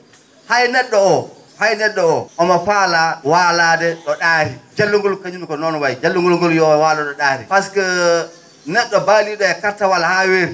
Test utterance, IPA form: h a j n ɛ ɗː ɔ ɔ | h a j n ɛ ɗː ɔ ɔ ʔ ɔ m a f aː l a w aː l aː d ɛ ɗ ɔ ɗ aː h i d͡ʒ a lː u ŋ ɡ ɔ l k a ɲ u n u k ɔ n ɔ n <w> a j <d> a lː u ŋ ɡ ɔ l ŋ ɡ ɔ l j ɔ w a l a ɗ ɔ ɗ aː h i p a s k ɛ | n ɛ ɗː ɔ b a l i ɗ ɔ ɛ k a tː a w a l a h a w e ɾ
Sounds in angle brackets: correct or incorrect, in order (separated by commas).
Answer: correct, incorrect